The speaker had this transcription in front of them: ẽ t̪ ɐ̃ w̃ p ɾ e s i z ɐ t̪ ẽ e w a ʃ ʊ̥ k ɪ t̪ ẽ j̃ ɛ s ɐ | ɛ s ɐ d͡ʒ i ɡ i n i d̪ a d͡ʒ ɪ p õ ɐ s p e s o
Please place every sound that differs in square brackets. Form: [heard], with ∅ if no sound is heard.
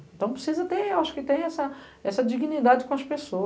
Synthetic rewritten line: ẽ t̪ ɐ̃ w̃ p ɾ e s i z ɐ t̪ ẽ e w a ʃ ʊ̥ k ɪ t̪ ẽ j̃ ɛ s ɐ | ɛ s ɐ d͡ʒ i ɡ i n i d̪ a d͡ʒ ɪ [k] õ ɐ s p e s o

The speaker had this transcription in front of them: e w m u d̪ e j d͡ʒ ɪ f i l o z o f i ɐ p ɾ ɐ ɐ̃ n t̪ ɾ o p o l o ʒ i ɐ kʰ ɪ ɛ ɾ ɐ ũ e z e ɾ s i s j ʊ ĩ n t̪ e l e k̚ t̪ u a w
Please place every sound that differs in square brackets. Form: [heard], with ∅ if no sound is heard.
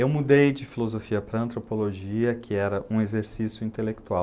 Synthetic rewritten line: e w m u d̪ e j d͡ʒ ɪ f i l o z o f i ɐ p ɾ ɐ ɐ̃ n t̪ ɾ o p o l o ʒ i ɐ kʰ ɪ ɛ ɾ ɐ ũ e z e ɾ s i s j ʊ ĩ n t̪ e l e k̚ t̪ u a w

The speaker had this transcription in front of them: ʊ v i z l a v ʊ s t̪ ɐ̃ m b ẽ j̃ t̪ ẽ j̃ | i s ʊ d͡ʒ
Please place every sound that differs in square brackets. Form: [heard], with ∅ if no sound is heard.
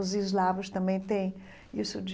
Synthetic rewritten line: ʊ [z] i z l a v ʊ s t̪ ɐ̃ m b ẽ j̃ t̪ ẽ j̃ | i s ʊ d͡ʒ

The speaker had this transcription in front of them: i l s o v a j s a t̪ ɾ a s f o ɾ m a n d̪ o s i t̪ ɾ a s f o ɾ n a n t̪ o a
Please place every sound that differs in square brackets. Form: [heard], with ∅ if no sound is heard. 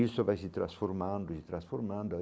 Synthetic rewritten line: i l s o v a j s [i] t̪ ɾ a s f o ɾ m a n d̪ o s i t̪ ɾ a s f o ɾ [m] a n [d̪] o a

